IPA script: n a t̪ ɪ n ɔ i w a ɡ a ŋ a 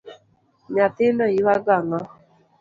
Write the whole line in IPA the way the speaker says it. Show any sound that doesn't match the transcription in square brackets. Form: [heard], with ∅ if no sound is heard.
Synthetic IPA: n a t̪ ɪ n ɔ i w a ɡ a ŋ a